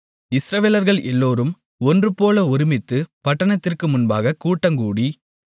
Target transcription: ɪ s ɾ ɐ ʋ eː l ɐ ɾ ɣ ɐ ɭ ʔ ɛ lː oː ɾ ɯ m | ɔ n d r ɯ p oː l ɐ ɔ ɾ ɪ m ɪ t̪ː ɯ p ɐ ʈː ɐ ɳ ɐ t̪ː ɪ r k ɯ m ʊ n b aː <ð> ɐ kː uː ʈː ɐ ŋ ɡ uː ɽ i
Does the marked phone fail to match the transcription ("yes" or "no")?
yes